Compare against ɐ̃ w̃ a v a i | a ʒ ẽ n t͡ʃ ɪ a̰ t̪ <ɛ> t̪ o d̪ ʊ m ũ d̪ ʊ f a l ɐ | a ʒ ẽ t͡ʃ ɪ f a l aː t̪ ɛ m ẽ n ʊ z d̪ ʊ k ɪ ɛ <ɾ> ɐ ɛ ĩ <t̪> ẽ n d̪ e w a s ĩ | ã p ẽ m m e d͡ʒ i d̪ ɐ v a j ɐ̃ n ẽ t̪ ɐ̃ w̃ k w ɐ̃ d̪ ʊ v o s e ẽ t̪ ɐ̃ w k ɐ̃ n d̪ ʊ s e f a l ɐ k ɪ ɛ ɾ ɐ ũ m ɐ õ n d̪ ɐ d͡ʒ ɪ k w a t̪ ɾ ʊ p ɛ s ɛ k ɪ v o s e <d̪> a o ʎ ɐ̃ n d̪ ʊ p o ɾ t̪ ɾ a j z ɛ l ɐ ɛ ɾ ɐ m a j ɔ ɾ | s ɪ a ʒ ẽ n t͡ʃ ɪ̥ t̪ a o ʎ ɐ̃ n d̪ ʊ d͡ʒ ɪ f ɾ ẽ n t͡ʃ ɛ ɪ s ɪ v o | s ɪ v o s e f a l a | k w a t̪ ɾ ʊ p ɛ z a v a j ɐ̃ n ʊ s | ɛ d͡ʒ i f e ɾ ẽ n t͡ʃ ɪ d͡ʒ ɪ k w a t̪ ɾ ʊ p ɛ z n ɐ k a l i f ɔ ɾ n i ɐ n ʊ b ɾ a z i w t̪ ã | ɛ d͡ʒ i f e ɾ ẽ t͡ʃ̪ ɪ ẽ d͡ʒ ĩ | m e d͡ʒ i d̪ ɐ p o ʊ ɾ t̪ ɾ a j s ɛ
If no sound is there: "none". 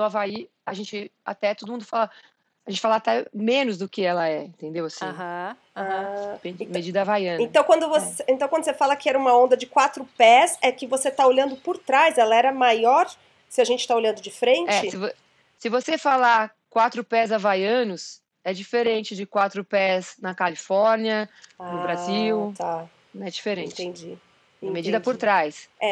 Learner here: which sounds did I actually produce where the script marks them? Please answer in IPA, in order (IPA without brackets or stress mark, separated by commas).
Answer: ɛ, l, t̪, t̪